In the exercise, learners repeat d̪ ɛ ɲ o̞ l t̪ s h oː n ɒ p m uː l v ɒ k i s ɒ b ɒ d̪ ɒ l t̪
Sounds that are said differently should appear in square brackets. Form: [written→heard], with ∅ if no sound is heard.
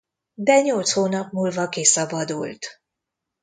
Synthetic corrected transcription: d̪ ɛ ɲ o̞ l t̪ s h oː n ɒ p m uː l v ɒ k i s ɒ b ɒ d̪ [ɒ→u] l t̪